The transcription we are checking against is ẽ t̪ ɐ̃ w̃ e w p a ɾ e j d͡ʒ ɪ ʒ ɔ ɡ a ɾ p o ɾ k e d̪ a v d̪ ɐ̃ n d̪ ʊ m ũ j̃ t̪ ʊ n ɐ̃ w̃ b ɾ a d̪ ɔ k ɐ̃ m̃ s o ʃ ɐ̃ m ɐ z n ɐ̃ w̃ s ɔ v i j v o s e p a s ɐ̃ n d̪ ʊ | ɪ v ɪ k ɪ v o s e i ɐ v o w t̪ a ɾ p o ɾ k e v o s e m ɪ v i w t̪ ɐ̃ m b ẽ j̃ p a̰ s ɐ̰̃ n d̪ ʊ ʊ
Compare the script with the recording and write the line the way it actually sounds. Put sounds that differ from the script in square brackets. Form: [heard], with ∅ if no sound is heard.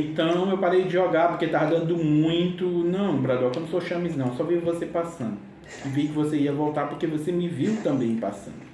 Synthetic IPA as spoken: ẽ t̪ ɐ̃ w̃ e w p a ɾ e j d͡ʒ ɪ ʒ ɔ ɡ a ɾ p o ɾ k e [t̪] a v d̪ ɐ̃ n d̪ ʊ m ũ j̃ t̪ ʊ n ɐ̃ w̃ b ɾ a d̪ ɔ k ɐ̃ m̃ s o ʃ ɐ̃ m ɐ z n ɐ̃ w̃ s ɔ v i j v o s e p a s ɐ̃ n d̪ ʊ | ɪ v [i] k ɪ v o s e i ɐ v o w t̪ a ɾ p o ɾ k e v o s e m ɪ v i w t̪ ɐ̃ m b ẽ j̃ p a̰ s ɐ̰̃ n d̪ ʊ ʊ